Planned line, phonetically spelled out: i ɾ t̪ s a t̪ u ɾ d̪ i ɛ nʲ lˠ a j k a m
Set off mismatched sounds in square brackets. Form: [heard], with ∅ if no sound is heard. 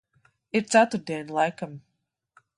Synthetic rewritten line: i ɾ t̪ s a t̪ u ɾ d̪ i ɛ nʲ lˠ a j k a m